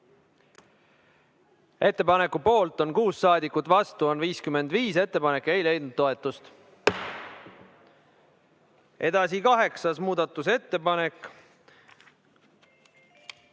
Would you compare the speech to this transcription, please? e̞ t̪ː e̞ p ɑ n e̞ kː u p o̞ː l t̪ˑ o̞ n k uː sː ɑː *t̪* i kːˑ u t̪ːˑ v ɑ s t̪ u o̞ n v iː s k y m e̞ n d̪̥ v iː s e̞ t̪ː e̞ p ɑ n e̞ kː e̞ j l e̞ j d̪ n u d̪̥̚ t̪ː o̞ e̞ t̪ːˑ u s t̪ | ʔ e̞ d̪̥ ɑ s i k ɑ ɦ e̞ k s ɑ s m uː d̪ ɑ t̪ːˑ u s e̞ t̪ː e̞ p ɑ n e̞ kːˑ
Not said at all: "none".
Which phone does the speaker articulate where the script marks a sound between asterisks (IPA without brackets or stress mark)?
d̪